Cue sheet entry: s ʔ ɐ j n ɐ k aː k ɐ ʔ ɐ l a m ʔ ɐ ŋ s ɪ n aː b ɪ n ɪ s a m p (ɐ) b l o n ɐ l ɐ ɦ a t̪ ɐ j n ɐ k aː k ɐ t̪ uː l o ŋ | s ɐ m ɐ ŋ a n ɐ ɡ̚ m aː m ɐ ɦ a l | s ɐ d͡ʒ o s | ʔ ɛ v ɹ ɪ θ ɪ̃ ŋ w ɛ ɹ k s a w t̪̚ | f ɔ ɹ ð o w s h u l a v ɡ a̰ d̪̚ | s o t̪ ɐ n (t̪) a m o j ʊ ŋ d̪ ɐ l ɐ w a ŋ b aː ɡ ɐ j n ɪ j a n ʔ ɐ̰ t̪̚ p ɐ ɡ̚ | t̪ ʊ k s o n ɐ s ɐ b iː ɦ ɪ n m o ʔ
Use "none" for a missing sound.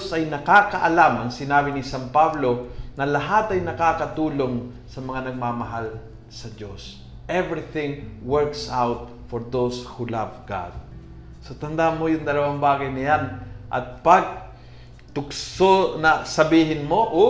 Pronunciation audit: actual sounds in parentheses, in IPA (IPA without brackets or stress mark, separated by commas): a, d̪